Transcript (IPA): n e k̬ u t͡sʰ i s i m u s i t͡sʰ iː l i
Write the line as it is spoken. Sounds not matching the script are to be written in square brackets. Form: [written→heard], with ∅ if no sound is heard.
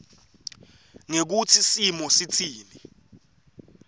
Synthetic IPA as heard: [n→ŋ] e k̬ u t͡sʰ i s i m [u→ɔ] s i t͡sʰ iː l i